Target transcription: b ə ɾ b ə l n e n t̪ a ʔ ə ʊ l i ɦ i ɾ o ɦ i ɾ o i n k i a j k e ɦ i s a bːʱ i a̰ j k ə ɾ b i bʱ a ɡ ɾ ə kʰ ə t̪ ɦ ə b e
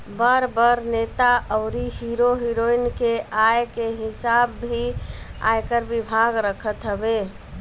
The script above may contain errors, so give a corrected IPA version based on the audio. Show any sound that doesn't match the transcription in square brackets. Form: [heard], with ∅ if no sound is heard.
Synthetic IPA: b ə ɾ b ə [ɾ] n e [∅] t̪ a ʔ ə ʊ [ɾ] i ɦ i ɾ o ɦ i ɾ o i n k [e] a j k e ɦ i s a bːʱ i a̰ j k ə ɾ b i bʱ a ɡ ɾ ə kʰ ə t̪ ɦ ə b e